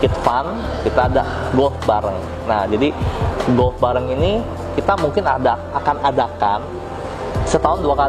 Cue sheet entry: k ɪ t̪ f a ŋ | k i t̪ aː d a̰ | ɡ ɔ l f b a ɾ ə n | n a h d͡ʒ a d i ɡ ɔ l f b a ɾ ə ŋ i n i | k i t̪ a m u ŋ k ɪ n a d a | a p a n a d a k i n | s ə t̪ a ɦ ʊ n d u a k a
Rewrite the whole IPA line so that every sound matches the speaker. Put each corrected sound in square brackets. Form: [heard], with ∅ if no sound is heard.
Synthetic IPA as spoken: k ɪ t̪ f a [n] | k i t̪ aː d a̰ | ɡ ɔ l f b a ɾ ə [ŋ] | n a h d͡ʒ a d i ɡ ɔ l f b a ɾ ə ŋ i n i | k i t̪ a m u ŋ k ɪ n a d a | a [k] a n a d a k [a] n | s ə t̪ a ɦ ʊ n d u a k a